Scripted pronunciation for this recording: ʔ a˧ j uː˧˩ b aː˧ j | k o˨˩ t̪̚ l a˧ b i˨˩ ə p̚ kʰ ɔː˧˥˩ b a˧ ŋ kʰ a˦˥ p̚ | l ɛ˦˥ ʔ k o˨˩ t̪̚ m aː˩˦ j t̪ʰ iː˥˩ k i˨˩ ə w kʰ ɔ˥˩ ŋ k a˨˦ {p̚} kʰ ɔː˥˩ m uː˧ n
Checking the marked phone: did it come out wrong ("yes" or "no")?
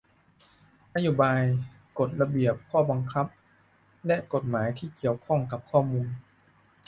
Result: no